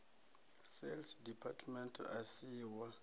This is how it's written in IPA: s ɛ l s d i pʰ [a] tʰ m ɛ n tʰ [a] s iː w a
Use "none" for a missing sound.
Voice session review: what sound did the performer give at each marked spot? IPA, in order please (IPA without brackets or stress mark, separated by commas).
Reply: a, a